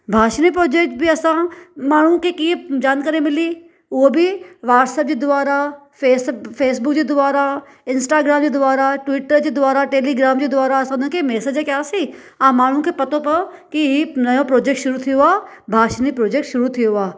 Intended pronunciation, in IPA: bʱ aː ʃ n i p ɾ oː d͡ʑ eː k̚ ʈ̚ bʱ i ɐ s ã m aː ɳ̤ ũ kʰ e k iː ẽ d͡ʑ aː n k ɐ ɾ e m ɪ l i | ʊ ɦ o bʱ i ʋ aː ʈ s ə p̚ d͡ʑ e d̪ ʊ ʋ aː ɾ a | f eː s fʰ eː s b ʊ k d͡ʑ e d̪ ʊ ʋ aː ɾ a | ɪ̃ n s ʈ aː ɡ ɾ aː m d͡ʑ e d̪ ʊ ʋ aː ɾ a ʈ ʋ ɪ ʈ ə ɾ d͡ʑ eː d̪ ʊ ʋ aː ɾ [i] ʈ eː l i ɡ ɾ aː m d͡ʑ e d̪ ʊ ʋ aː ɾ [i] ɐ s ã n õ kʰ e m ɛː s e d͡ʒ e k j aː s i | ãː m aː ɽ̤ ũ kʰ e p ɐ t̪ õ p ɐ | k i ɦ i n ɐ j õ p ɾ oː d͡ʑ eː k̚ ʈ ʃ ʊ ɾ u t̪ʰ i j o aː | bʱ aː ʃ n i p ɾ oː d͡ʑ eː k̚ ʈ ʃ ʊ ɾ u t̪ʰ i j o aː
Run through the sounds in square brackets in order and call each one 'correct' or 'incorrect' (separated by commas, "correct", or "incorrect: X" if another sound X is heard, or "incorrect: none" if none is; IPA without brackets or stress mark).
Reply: incorrect: a, incorrect: a